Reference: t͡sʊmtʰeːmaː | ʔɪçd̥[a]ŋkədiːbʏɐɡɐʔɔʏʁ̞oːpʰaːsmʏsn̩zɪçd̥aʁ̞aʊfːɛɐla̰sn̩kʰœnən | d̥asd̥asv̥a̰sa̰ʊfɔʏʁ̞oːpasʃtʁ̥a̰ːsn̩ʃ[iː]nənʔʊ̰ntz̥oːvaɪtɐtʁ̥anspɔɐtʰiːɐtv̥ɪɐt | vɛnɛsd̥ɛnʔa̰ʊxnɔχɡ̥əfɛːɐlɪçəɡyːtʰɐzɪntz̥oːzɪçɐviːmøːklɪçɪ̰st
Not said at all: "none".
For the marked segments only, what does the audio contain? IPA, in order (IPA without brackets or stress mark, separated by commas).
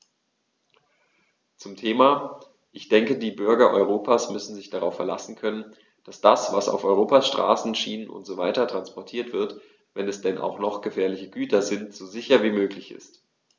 ɛ, iː